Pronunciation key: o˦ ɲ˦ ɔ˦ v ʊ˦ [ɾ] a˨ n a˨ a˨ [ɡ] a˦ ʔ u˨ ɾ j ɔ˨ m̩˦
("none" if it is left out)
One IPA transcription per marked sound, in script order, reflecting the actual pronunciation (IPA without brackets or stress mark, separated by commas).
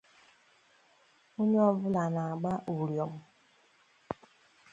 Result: l, ɡ͡b